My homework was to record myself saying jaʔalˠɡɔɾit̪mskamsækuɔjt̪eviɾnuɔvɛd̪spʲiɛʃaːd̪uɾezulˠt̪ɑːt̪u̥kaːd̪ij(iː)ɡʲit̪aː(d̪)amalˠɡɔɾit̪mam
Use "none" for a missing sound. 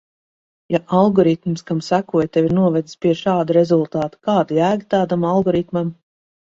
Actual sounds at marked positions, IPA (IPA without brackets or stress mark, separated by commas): æː, d̪